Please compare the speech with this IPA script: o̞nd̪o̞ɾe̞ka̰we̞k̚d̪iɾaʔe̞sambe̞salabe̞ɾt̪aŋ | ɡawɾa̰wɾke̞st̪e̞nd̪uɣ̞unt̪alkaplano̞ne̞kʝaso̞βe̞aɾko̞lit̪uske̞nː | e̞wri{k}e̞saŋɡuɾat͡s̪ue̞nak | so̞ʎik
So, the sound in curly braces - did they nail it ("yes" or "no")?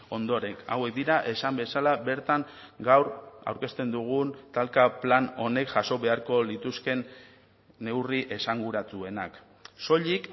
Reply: no